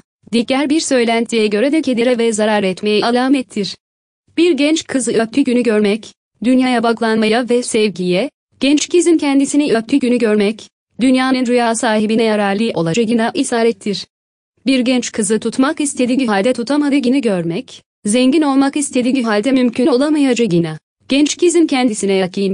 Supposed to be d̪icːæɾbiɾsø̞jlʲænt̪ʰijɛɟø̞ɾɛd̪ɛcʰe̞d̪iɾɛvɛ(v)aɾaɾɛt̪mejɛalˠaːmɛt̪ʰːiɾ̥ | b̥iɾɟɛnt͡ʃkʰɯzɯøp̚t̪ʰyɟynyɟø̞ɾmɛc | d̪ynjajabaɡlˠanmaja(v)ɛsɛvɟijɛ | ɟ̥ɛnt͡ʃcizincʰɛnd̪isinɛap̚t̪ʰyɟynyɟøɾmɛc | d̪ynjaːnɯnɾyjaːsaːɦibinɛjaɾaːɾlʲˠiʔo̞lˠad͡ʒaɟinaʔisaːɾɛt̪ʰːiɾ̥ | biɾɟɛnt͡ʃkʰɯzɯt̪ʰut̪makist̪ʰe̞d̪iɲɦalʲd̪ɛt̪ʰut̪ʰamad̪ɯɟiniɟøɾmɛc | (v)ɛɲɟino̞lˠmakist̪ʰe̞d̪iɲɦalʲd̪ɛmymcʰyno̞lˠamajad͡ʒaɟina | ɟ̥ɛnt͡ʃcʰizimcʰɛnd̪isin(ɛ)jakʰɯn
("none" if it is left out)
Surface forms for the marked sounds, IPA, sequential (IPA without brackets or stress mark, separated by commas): z, v, z, ɛ